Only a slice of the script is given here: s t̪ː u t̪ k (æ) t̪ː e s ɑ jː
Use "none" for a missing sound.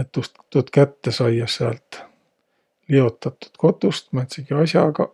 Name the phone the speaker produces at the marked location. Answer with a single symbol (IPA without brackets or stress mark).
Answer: æ